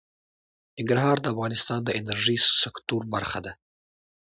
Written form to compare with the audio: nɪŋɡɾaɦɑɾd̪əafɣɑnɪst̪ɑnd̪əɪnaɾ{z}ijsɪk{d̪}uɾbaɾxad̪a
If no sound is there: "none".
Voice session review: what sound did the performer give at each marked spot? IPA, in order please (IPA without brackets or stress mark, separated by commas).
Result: ʒ, t̪